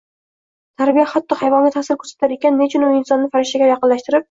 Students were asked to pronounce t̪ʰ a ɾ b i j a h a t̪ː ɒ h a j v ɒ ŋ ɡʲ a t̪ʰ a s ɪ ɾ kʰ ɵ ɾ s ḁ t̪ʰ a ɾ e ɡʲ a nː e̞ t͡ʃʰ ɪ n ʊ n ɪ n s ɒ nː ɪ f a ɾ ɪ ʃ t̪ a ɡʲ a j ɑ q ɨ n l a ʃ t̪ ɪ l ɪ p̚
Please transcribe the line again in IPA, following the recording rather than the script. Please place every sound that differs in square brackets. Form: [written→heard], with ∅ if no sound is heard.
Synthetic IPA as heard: t̪ʰ a ɾ b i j a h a t̪ː ɒ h a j v ɒ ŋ ɡʲ a t̪ʰ a s ɪ ɾ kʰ ɵ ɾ s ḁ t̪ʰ a ɾ e [ɡʲ→kʲ] a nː e̞ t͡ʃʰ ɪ n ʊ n ɪ n s ɒ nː ɪ f a ɾ ɪ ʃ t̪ a ɡʲ a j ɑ q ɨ n l a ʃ t̪ ɪ [l→ɾ] ɪ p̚